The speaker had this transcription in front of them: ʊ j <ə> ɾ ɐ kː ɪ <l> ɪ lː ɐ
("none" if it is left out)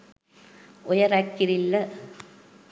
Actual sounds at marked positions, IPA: ɐ, ɾ

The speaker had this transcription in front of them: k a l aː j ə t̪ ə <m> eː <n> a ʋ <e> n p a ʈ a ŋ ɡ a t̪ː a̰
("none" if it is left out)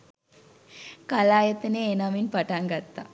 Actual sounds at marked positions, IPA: n, n, i

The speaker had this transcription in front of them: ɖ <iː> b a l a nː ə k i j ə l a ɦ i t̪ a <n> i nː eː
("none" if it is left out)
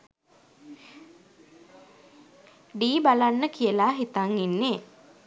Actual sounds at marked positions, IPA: iː, ŋ

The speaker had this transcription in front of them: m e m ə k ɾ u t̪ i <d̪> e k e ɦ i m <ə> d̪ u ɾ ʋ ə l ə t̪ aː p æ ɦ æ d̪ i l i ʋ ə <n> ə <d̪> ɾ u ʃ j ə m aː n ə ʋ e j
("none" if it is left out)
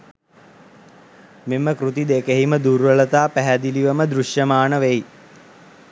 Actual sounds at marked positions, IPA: d̪, ə, m, d̪

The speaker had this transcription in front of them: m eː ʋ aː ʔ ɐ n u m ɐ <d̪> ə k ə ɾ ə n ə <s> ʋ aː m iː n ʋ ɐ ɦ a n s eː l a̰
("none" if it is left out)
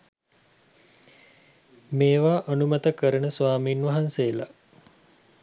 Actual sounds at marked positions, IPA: t̪, s

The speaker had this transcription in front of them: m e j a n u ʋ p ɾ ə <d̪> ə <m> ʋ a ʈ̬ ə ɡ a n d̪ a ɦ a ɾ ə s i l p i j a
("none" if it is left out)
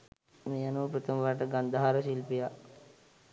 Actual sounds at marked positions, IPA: t̪, m

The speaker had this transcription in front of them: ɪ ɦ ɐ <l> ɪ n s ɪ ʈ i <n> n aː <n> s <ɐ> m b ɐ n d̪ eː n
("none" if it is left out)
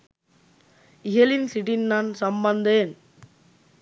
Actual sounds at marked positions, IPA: l, n, n, ɐ

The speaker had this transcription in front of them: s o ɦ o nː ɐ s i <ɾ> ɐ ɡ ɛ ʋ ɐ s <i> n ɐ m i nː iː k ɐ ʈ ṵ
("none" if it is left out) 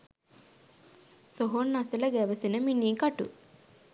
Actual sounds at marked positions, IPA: l, i

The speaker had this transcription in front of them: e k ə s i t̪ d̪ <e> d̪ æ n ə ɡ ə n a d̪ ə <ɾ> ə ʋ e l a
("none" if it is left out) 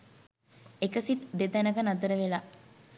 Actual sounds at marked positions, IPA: e, ɾ

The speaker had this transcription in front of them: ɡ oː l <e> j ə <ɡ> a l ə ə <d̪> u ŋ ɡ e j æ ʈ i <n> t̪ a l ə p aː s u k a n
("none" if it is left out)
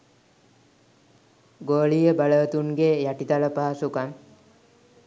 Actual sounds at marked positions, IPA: i, b, t̪, none

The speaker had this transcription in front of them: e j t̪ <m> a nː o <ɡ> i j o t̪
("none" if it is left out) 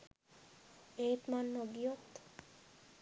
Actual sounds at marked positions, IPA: m, ɡ

